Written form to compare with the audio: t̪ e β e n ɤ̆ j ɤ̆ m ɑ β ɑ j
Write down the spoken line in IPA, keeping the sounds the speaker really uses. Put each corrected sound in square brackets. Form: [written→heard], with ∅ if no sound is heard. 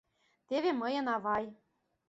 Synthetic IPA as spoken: t̪ e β e [n→m] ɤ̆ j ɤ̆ [m→n] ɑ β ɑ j